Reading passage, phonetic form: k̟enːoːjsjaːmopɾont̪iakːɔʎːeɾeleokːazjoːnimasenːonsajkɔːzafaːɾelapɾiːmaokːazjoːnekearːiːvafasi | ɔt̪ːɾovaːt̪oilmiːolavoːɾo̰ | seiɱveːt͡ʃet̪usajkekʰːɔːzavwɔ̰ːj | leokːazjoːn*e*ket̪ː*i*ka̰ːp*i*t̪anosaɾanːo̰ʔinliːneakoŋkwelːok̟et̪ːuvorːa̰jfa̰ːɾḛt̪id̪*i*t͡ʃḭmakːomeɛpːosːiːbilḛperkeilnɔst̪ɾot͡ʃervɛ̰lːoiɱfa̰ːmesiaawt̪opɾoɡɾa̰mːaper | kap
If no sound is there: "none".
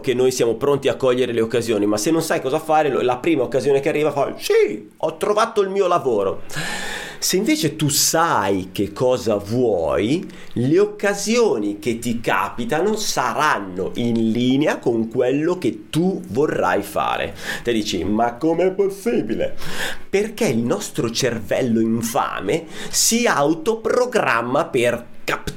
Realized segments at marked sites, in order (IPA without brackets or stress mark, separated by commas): i, i, i, iː